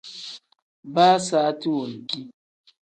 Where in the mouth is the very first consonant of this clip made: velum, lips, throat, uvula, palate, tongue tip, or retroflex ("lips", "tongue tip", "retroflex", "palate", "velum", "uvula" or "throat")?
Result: lips